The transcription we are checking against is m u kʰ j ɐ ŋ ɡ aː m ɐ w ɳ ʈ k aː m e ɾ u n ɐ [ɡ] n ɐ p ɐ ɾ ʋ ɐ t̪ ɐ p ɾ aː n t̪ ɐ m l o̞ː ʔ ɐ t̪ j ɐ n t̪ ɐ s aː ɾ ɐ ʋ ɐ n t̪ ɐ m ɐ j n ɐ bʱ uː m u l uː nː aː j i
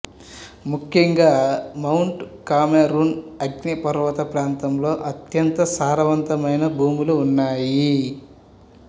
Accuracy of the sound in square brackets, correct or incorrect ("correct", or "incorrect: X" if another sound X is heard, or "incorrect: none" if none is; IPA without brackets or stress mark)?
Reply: correct